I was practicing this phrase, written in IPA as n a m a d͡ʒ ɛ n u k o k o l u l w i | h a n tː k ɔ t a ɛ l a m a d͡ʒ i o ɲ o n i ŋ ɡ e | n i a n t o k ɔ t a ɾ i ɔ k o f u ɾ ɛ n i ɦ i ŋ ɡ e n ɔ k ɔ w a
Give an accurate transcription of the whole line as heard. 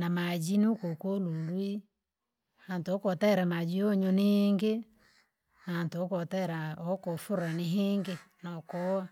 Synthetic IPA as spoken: n a m a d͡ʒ i n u k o k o l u l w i | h a n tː k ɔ t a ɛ ɾ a m a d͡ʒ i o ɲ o n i ŋ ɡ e | n a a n t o k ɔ t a ɾ a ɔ k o f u ɾ a n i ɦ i ŋ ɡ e n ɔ k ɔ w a